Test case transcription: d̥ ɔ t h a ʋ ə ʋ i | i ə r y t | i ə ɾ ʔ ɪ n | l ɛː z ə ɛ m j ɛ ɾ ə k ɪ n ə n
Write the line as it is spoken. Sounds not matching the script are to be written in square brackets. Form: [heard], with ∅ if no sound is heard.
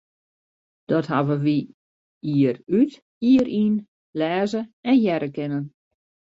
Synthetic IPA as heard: d̥ ɔ t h a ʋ ə ʋ i | i ə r y t | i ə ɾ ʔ [i] n | l ɛː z ə ɛ [n] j ɛ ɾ ə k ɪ n ə n